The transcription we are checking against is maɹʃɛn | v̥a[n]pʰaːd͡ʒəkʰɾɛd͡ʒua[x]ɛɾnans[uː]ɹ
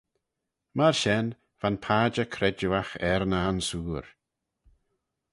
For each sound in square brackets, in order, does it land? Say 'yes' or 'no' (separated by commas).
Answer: yes, yes, yes